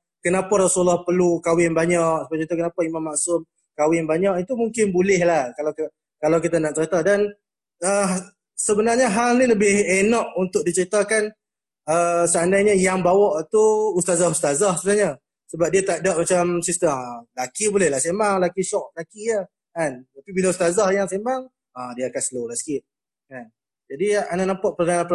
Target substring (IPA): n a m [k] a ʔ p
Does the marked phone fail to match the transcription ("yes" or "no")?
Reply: yes